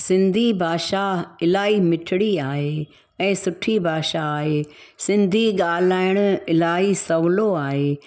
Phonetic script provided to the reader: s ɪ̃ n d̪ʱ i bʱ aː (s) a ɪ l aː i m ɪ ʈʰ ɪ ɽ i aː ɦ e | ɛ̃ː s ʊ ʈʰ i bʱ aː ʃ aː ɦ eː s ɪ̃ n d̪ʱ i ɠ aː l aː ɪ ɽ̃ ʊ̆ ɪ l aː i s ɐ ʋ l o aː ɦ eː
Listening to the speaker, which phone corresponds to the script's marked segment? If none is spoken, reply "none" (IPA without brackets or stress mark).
ʃ